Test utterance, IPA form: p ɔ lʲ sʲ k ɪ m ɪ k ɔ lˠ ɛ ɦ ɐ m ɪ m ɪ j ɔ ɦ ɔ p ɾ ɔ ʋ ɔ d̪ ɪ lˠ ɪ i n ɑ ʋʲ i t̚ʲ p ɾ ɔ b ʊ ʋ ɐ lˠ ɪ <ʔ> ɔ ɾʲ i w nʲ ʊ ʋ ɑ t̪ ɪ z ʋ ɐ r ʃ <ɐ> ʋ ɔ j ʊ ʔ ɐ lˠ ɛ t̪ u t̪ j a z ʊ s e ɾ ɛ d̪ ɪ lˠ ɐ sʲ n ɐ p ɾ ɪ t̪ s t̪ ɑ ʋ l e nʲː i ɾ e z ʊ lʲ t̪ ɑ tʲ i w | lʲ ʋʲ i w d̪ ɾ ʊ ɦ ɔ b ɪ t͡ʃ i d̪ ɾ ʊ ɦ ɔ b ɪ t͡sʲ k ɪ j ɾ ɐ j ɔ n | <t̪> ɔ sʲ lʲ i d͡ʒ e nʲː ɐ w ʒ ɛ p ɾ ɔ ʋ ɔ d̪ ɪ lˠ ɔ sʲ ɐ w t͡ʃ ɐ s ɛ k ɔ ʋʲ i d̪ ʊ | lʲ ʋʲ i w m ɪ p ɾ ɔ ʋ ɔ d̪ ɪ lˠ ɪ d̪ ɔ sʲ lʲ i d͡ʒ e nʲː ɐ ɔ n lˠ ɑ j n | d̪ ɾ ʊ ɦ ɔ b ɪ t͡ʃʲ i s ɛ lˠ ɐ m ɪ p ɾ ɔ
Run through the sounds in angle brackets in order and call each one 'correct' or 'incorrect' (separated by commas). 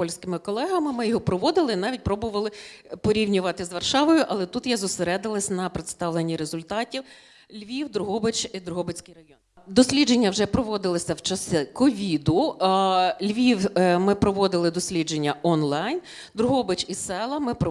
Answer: incorrect, incorrect, incorrect